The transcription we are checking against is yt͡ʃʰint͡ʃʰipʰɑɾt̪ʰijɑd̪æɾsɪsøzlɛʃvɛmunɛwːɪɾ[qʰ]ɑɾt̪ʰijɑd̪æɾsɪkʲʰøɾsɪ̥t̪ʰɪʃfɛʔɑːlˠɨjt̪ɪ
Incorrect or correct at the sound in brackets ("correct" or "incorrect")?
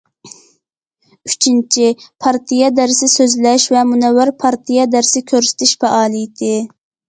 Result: incorrect